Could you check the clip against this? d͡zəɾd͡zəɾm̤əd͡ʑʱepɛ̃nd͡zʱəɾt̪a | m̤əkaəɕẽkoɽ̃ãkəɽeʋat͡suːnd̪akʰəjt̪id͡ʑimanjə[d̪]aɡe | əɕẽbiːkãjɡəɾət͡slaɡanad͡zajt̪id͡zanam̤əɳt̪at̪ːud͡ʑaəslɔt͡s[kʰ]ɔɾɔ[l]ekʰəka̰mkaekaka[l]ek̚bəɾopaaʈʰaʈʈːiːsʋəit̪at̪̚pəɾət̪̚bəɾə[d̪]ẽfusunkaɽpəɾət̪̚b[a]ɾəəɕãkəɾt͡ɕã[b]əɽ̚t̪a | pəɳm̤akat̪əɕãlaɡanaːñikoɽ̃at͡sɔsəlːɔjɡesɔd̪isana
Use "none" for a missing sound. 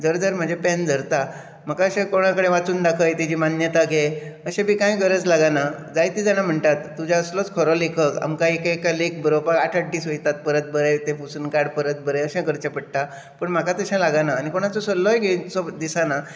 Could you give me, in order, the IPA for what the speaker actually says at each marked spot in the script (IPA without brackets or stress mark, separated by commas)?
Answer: t̪, kʰ, l, l, t̪, ə, p